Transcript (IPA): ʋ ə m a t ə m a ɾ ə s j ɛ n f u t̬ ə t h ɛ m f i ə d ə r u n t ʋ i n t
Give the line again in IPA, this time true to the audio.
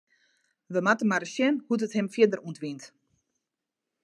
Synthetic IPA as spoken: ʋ ə m a t ə m a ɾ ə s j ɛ n h u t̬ ə t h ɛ m f j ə d ə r u n t ʋ i n t